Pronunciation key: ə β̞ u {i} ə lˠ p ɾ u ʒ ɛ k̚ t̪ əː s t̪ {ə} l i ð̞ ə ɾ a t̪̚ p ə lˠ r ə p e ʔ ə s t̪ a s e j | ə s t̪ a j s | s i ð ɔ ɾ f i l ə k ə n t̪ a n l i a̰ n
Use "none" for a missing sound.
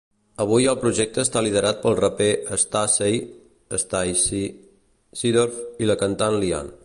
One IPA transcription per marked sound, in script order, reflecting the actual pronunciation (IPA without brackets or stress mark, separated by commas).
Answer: j, a